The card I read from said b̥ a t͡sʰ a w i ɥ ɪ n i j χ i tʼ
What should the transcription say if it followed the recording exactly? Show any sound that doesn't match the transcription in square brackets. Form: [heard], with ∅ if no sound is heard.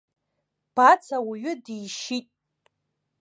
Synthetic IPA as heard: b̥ a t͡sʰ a w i ɥ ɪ [d] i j [ʃ] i tʼ